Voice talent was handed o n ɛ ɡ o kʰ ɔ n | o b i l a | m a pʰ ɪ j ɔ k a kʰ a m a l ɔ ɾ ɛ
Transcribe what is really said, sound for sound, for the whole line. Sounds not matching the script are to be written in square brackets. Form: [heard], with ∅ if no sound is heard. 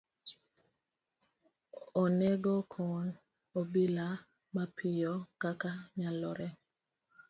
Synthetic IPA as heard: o n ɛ ɡ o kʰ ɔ n | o b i l a | m a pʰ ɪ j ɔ k a [k] a [ɲ] a l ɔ ɾ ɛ